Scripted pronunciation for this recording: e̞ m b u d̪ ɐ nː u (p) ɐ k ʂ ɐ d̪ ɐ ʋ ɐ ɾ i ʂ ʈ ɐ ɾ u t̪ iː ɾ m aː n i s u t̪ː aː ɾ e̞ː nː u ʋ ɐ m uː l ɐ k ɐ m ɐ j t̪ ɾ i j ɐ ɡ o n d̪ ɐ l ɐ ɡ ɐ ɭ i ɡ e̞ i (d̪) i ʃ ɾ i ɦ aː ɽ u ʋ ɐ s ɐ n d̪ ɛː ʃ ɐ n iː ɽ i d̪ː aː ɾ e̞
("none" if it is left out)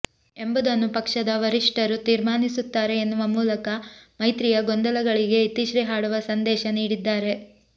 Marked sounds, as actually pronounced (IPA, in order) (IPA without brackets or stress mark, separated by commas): p, t̪